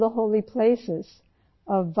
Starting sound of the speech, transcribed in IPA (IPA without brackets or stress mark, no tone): ð